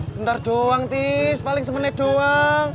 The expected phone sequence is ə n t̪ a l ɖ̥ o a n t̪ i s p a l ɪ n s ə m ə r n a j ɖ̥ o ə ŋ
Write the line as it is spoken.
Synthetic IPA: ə n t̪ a r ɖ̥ o a ŋ t̪ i s p a l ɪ ŋ s ə m ə n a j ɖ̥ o a ŋ